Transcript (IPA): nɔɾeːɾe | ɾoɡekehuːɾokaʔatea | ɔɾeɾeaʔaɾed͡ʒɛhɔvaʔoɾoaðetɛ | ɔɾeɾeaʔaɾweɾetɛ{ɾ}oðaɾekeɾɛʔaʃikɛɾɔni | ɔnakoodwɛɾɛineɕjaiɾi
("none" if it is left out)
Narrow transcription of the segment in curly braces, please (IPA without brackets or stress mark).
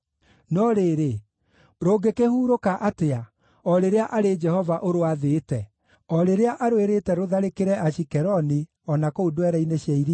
ɾ